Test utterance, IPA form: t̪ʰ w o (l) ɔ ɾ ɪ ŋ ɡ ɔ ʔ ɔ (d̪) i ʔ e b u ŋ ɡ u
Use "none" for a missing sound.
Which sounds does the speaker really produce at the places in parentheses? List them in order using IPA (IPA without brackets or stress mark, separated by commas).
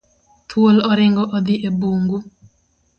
l, d̪